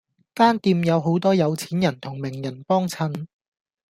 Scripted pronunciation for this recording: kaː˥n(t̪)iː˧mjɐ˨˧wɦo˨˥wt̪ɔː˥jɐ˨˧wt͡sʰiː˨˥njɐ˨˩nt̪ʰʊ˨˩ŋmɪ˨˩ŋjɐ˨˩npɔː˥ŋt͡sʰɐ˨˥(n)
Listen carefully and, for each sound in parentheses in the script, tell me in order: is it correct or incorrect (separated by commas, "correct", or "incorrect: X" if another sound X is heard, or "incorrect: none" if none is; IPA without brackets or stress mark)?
correct, correct